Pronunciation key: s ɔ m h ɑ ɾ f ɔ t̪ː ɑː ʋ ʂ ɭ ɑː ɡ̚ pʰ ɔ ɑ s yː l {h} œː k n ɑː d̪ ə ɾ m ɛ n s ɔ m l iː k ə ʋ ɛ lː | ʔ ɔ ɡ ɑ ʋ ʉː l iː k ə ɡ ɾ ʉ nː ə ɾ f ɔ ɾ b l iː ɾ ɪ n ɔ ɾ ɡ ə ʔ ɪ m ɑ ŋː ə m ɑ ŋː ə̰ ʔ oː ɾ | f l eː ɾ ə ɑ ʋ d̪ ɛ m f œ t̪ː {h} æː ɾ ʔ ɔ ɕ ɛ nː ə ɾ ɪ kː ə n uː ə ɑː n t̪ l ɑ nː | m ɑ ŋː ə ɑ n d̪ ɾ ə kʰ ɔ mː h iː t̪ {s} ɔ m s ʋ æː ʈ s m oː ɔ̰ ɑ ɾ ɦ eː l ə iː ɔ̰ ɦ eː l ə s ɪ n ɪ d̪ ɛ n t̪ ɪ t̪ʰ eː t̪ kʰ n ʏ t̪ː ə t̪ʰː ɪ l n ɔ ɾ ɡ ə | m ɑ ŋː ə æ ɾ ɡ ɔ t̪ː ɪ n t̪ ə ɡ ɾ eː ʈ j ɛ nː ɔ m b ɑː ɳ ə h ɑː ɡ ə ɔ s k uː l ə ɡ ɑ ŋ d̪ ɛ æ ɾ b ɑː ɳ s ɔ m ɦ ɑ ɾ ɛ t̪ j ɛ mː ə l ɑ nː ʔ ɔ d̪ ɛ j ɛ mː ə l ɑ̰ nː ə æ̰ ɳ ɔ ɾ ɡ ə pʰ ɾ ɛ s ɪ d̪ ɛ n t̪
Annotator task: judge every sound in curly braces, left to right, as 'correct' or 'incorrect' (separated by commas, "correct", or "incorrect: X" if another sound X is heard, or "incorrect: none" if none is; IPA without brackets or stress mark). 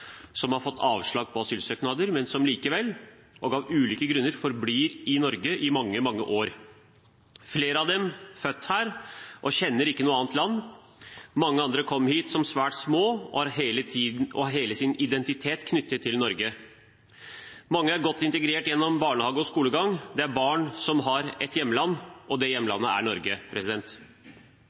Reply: incorrect: s, correct, correct